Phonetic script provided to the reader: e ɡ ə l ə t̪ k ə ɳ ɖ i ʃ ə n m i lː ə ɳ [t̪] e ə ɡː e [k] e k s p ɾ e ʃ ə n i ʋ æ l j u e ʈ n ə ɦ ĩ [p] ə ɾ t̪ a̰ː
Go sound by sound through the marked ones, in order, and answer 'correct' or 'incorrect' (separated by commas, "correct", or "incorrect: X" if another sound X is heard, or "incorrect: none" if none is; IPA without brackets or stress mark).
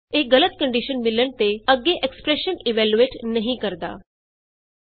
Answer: correct, incorrect: ʔ, incorrect: k